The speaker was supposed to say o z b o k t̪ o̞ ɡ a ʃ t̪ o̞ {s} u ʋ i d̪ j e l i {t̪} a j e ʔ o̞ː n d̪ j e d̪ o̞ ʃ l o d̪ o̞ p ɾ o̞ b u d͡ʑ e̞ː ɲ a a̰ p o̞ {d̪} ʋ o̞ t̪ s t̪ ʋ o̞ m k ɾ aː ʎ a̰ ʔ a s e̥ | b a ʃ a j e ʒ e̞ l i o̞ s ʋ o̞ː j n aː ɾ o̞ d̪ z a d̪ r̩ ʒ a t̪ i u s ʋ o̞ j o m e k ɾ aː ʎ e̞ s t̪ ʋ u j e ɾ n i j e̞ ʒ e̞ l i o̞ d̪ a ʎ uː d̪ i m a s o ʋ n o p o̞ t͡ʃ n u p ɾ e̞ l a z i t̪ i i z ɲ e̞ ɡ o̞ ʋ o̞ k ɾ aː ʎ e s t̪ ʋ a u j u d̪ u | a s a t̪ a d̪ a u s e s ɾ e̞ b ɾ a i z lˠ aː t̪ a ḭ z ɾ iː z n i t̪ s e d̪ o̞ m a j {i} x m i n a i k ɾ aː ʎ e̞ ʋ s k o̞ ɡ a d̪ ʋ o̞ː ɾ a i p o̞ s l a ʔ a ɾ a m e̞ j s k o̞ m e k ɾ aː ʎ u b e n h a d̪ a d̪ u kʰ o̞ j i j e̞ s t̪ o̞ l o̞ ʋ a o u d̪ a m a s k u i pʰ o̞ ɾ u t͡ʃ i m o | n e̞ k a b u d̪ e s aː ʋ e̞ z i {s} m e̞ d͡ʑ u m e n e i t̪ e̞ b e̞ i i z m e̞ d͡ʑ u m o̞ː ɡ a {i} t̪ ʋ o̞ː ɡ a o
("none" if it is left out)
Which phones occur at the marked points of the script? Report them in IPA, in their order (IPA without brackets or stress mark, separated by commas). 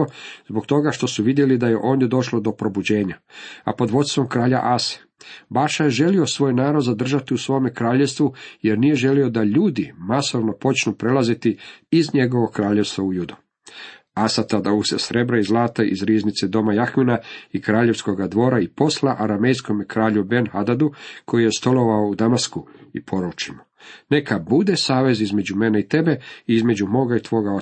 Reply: s, d̪, d̪, a, z, i